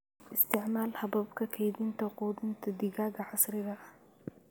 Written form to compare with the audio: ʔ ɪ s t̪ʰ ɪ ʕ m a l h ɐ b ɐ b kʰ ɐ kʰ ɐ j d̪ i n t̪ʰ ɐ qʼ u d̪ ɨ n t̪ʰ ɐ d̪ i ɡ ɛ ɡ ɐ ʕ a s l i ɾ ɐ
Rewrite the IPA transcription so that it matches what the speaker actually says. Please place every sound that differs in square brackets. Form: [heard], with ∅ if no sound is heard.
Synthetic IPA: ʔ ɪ s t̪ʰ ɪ ʕ m a l h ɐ b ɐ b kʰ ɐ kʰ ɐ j d̪ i n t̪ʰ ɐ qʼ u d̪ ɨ n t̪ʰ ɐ d̪ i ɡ [a] ɡ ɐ ʕ a s [ɾ] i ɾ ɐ